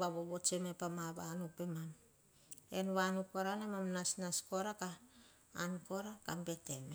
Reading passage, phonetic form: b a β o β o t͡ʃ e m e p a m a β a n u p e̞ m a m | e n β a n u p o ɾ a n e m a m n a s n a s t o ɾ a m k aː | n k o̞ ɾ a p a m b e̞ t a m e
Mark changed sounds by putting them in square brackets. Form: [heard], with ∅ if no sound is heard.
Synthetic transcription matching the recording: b a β o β o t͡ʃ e m e p a m a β a n u p e̞ m a m | e n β a n u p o ɾ a n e m a m n a s n a s [k] o ɾ a [∅] k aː | n k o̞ ɾ a [k] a m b e̞ t [e] m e

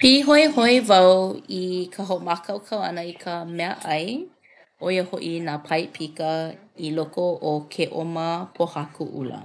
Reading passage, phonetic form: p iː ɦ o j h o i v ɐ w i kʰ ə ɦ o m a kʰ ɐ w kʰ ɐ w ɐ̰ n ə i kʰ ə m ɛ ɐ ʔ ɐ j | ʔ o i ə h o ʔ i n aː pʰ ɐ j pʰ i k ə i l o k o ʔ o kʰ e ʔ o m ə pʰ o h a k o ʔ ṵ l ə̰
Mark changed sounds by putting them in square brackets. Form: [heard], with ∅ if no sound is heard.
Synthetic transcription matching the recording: p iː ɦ o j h o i v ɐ w i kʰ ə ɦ o m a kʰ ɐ w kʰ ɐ w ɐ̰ n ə i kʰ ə m ɛ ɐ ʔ ɐ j | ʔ o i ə h o ʔ i n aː pʰ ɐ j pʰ i k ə i l o k o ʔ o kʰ e ʔ o m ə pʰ o h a k [u] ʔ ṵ l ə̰

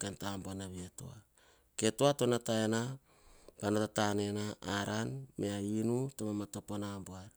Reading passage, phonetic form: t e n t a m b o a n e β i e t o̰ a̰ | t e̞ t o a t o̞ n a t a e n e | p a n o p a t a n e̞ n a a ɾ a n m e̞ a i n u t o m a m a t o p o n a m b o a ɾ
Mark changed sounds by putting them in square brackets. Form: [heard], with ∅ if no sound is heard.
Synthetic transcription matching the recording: [k] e n t a m b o a n [a] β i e t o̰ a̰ | [k] e̞ t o a t o̞ n a t a e n [a] | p a n o [t] a t a n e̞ n a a ɾ a n m e̞ a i n u t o m a m a t o p o n a m b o a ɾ

